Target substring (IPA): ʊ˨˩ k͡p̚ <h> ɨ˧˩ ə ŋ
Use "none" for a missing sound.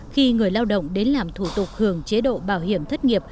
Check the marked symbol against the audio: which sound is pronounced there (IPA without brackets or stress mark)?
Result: h